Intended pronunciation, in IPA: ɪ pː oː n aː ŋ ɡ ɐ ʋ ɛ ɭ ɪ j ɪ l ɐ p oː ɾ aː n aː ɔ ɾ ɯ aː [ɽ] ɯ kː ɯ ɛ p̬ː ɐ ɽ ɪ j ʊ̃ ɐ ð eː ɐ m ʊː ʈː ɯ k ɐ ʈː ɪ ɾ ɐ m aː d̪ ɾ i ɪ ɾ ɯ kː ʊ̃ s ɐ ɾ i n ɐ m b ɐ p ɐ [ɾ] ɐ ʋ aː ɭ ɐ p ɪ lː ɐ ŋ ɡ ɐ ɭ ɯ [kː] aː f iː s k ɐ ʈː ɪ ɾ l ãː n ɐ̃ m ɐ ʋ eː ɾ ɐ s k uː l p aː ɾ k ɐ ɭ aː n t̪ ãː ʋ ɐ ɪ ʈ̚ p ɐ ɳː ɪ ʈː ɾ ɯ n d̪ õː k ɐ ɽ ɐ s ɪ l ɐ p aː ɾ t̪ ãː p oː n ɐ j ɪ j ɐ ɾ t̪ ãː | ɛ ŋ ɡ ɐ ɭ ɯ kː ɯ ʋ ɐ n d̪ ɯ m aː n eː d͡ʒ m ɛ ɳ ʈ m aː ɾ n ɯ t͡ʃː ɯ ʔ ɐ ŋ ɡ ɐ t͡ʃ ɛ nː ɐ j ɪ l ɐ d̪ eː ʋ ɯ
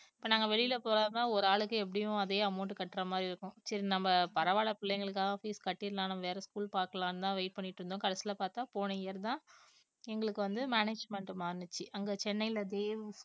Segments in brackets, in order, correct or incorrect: incorrect: ɭ, correct, correct

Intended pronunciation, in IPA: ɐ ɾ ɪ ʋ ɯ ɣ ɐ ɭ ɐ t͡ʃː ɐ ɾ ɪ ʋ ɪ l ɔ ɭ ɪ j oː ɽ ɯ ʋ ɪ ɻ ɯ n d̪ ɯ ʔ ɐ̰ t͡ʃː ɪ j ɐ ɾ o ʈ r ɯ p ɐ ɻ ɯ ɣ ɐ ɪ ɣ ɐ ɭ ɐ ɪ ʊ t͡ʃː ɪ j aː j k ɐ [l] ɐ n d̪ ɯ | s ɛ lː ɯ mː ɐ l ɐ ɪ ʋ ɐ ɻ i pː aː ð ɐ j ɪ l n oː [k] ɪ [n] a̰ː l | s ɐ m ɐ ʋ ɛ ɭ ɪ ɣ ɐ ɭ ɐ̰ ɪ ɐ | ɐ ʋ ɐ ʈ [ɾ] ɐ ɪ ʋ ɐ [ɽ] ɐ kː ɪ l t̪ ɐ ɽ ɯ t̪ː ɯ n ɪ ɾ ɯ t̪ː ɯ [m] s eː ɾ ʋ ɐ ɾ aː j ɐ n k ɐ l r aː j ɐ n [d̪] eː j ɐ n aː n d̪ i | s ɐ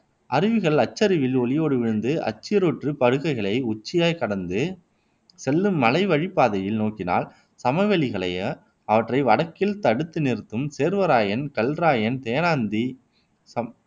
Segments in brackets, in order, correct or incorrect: incorrect: ɽ, correct, correct, incorrect: r, correct, correct, incorrect: t̪

